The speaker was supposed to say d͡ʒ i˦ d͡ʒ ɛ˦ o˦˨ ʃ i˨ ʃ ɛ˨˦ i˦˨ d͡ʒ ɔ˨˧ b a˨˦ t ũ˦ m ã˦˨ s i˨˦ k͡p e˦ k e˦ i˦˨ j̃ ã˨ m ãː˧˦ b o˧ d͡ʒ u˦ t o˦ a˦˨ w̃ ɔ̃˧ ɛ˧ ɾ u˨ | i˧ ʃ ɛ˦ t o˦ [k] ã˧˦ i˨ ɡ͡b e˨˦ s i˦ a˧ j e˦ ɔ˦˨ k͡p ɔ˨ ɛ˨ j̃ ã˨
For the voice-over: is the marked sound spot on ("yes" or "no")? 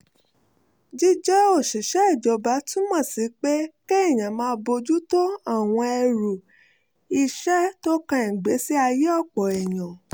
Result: yes